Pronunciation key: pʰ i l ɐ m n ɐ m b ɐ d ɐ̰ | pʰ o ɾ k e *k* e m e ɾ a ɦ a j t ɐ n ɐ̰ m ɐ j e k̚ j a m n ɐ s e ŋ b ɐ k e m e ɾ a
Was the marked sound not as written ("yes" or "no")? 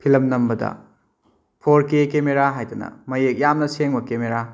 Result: no